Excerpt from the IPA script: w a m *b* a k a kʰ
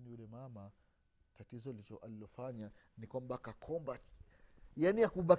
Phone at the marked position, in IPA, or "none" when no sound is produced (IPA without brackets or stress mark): b